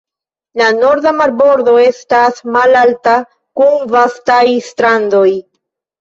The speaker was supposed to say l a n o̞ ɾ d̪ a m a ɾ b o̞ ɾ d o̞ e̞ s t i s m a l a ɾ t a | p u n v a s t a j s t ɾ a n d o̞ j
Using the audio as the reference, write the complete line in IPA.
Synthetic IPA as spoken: l a n o̞ ɾ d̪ a m a ɾ b o̞ ɾ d o̞ e̞ s t a s m a l a l t a | k u n v a s t a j s t ɾ a n d o̞ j